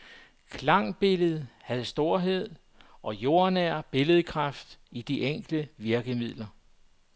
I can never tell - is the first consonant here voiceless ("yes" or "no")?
yes